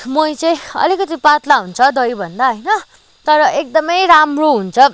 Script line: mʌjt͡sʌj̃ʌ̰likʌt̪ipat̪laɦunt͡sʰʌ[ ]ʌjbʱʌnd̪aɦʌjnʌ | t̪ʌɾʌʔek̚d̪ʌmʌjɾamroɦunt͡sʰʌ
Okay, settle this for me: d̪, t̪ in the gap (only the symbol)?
d̪